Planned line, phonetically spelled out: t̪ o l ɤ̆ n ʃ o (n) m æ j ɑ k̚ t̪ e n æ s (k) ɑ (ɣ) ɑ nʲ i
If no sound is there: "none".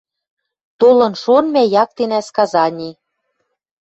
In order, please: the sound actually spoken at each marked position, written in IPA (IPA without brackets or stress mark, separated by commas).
n, k, z